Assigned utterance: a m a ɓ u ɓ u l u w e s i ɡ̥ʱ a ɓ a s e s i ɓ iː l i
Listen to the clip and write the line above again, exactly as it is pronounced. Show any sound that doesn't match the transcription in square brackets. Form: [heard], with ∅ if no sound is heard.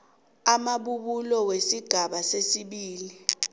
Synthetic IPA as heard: a m a ɓ u ɓ u l [ɔ] w e s i ɡ̥ʱ a ɓ a s e s i ɓ iː l i